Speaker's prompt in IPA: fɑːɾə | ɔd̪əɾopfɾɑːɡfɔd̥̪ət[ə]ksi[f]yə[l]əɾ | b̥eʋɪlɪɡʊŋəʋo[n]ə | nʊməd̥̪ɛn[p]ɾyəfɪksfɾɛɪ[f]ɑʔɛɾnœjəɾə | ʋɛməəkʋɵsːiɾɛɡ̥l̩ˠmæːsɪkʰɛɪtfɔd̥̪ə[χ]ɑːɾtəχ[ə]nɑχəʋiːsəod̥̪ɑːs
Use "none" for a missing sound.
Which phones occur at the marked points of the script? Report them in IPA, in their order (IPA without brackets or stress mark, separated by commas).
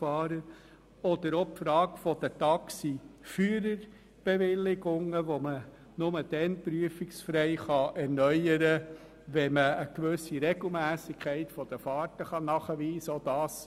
ɑ, f, ɾ, m, p, χ, f, ɑ